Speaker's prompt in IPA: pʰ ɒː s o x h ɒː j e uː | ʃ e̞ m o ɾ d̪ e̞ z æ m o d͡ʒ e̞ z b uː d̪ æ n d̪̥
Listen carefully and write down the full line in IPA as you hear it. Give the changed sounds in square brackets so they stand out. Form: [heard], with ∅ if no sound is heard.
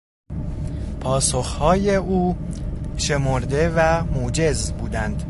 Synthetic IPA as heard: pʰ ɒː s o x h ɒː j e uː | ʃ e̞ m o ɾ d̪ e̞ [v] æ m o d͡ʒ e̞ z b uː d̪ æ n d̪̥